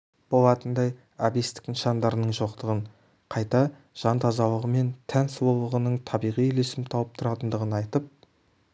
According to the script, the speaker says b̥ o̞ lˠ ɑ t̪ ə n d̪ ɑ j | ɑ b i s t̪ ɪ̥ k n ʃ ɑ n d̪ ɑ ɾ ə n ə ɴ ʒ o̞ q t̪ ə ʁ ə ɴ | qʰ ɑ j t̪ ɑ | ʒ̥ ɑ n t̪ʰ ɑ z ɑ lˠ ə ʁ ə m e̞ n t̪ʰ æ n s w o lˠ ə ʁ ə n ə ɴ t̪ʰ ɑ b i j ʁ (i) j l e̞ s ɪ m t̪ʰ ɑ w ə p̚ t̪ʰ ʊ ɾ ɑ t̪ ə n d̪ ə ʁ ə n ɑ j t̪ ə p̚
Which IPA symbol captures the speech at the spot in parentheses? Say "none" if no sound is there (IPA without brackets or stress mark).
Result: i